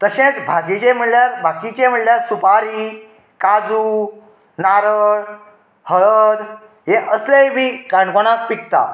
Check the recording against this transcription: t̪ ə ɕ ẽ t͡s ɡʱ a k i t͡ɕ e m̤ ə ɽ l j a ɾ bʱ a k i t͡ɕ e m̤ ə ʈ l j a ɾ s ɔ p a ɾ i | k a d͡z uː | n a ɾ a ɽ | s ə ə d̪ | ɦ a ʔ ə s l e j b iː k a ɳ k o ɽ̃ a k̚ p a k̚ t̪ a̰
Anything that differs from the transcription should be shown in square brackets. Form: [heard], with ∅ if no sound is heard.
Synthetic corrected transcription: t̪ ə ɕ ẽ t͡s [bʱ] a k i t͡ɕ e m̤ ə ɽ l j a ɾ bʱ a k i t͡ɕ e m̤ ə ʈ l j a ɾ s [u] p a ɾ i | k a d͡z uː | n a ɾ [ə] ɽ | [h] ə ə d̪ | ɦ [e] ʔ ə s l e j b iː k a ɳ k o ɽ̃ a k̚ p [i] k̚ t̪ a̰